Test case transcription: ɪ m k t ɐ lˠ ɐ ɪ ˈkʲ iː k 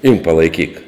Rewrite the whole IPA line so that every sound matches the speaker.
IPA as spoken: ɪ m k p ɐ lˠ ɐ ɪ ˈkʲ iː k